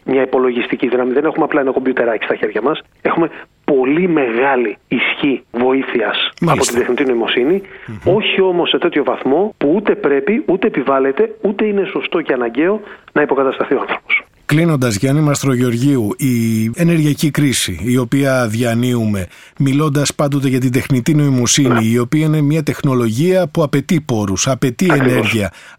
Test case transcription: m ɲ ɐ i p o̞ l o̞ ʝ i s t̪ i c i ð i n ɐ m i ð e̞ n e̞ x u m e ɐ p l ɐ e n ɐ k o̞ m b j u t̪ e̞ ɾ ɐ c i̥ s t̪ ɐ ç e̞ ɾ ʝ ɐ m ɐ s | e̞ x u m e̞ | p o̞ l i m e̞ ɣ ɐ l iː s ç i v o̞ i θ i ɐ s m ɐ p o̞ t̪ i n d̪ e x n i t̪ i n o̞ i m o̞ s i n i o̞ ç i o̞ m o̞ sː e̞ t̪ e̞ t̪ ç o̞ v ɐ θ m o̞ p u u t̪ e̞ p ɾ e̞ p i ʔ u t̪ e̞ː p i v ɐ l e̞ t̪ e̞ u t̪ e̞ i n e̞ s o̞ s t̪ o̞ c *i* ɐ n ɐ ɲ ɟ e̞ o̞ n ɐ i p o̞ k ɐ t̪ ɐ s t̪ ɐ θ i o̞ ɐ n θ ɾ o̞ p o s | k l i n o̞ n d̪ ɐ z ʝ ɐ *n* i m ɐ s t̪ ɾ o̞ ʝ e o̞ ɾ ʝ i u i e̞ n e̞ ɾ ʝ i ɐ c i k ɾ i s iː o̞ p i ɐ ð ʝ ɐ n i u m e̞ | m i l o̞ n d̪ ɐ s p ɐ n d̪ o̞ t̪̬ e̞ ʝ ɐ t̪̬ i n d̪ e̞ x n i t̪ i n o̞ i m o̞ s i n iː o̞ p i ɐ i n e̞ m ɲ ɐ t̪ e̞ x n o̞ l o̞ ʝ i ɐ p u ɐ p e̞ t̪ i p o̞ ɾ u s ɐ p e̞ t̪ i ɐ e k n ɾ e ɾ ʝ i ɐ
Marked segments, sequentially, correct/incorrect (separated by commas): incorrect, correct